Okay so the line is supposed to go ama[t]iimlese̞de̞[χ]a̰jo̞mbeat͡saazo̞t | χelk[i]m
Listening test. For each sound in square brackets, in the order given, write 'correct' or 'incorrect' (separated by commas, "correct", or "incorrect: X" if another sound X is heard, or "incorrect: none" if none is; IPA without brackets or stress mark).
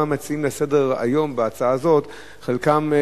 incorrect: t͡s, incorrect: ʁ, incorrect: a